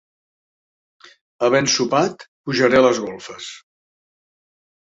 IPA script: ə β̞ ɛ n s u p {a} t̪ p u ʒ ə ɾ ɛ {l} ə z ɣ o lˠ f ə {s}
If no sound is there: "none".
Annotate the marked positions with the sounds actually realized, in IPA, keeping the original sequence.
a, l, s

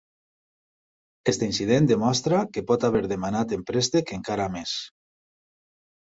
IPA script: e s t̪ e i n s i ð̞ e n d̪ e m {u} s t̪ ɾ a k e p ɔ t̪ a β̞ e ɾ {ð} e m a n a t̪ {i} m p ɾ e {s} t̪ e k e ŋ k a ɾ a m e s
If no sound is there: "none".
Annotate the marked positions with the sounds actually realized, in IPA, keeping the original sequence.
ɔ, ð, e, s

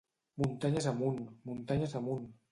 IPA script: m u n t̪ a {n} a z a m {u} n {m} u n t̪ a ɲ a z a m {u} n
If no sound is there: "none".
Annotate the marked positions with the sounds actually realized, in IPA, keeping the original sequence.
ɲ, u, m, u

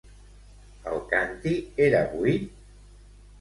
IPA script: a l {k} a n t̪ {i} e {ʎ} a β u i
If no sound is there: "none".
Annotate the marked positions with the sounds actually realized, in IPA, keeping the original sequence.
k, i, ɾ

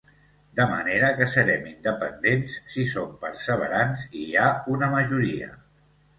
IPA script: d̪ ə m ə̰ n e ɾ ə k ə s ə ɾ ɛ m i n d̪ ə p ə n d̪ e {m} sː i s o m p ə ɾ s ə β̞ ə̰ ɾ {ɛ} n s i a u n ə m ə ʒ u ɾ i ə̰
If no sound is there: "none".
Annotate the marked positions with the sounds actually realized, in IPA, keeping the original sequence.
n, a

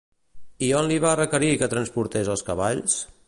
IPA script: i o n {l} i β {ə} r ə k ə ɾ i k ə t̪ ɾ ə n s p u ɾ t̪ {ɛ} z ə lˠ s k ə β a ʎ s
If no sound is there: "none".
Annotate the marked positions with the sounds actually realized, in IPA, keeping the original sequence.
l, a, e

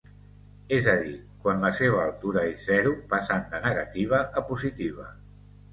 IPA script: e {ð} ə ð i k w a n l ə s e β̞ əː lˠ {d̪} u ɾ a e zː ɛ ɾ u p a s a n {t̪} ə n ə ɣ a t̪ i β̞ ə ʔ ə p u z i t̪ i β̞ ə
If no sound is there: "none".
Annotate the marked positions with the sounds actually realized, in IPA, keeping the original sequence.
z, t̪, d̪

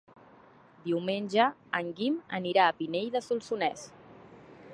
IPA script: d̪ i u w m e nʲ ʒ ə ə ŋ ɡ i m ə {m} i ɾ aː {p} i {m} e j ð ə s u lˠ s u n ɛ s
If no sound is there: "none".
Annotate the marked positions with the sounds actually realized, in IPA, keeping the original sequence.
n, p, n

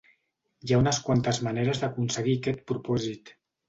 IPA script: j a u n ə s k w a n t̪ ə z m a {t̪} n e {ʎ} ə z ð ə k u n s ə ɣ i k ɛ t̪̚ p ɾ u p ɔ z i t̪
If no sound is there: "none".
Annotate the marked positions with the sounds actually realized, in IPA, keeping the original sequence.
none, ɾ

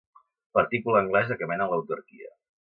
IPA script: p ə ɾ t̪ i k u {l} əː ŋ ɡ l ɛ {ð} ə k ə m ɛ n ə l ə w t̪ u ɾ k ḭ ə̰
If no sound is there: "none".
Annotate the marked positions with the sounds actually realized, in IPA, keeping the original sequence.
l, z

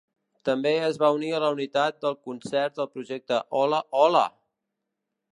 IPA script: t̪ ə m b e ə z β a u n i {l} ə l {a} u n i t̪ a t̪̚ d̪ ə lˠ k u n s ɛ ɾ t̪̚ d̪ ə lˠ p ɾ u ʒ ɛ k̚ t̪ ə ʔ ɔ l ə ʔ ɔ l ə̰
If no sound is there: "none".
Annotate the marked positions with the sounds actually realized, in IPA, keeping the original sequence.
none, ə

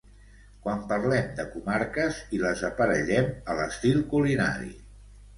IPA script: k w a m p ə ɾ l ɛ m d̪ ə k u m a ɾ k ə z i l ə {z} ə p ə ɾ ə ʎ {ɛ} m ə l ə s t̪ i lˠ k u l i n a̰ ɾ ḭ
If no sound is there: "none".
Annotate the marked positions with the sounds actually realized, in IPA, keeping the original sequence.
z, ɛ

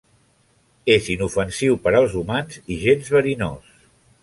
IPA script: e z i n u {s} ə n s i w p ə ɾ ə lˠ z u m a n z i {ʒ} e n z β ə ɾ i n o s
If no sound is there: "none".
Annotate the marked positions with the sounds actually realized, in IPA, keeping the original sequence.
f, ʒ

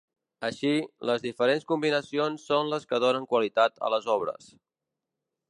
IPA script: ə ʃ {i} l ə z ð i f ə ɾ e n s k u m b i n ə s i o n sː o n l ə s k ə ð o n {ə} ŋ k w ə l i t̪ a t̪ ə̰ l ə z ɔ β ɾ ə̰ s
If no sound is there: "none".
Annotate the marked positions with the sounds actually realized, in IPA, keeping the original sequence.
i, ə

